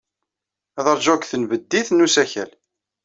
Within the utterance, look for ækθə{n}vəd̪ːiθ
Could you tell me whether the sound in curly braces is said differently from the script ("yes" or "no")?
no